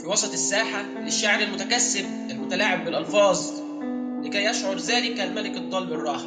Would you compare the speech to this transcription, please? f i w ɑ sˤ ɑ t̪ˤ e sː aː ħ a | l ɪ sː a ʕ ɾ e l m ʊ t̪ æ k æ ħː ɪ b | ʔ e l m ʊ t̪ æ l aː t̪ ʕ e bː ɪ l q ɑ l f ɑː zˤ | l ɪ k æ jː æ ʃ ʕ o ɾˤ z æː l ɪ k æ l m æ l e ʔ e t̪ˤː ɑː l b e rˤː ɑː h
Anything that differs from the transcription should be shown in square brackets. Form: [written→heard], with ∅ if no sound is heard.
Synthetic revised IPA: f i w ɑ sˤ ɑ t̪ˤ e sː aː ħ a | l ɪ [sː→ʃː] a ʕ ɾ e l m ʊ t̪ æ k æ [ħː→sː] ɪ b | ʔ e l m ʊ t̪ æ l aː [t̪→∅] ʕ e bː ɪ l [q→ʔ] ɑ l f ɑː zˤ | l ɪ k æ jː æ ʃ ʕ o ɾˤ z æː l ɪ k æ l m æ l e [ʔ→k] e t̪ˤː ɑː l b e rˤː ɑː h